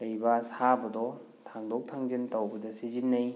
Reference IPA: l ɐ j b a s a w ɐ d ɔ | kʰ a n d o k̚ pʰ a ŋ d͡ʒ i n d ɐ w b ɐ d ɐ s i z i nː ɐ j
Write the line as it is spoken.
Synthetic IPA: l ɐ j b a s a b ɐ d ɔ | tʰ a ŋ d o k̚ tʰ a ŋ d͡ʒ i n t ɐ w b ɐ d ɐ s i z i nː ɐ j